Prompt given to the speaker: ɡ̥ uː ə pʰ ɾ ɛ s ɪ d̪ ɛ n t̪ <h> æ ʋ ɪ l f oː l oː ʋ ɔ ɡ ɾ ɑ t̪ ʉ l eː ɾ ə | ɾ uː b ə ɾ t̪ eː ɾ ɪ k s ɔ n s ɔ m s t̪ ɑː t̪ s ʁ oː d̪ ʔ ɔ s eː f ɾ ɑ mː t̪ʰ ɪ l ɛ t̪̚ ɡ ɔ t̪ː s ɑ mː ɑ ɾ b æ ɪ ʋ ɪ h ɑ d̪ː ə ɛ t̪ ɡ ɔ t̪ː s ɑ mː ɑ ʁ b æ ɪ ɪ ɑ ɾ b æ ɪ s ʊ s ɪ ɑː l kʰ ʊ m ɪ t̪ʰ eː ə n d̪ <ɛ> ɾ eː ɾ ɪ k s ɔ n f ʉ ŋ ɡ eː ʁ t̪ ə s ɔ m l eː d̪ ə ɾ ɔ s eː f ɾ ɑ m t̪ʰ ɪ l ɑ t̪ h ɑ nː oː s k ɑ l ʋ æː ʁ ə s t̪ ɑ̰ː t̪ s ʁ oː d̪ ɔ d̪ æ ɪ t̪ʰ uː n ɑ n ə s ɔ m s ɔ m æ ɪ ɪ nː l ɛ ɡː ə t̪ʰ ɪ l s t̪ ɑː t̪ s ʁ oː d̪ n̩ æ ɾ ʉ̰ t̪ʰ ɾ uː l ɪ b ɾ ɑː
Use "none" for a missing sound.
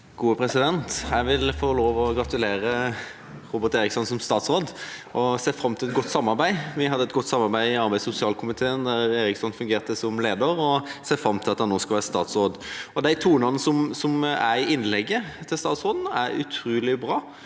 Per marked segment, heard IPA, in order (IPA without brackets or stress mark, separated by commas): h, æ